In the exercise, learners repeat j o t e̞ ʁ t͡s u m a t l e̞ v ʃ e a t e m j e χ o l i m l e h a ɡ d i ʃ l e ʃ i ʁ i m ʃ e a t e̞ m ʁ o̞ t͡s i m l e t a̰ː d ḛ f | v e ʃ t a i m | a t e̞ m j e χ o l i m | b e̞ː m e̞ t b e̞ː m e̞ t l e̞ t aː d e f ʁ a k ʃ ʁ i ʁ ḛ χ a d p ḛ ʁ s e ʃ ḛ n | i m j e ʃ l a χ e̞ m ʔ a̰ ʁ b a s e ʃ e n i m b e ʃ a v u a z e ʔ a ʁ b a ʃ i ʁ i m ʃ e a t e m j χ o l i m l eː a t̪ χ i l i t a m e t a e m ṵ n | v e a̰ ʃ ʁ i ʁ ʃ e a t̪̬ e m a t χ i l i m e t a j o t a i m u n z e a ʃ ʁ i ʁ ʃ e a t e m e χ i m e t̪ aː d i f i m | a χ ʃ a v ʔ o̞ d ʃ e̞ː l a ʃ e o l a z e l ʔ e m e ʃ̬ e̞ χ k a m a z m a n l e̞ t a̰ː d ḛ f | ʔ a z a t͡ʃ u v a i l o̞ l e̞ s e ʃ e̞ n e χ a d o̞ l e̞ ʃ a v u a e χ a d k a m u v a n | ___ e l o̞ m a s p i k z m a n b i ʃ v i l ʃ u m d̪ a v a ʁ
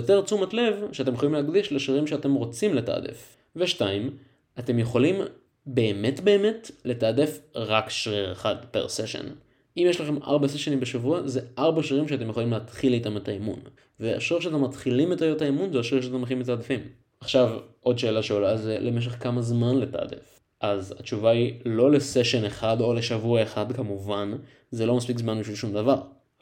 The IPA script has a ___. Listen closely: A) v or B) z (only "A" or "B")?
B